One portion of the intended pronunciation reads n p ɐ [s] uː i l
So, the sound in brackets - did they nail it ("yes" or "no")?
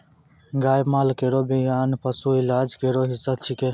yes